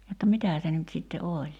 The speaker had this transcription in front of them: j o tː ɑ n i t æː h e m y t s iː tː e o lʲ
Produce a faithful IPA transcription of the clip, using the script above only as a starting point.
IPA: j o tː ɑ m i t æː s e n y t s i tː e o lʲ